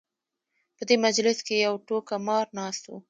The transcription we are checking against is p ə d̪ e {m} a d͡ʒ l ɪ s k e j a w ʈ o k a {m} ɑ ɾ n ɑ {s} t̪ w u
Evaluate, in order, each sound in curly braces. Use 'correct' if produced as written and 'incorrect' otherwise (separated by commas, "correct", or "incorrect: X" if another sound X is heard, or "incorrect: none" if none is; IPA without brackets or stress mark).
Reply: correct, correct, correct